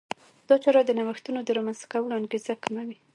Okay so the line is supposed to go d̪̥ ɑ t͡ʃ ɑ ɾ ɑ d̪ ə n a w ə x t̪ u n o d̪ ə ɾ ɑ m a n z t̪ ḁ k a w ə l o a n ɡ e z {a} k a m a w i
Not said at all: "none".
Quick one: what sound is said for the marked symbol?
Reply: a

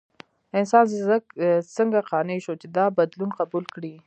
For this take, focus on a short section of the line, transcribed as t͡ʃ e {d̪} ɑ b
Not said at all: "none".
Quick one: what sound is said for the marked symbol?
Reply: d̪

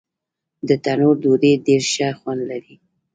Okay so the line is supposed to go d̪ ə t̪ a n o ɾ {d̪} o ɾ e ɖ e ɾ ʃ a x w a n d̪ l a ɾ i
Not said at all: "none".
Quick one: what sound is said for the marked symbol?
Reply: d̪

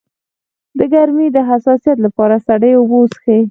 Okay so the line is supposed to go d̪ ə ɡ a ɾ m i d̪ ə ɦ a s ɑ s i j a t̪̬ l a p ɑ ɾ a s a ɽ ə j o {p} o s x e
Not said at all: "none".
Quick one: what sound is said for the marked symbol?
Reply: b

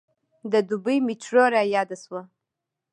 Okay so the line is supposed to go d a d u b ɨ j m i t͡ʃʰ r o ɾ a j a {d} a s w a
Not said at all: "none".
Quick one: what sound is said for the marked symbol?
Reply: d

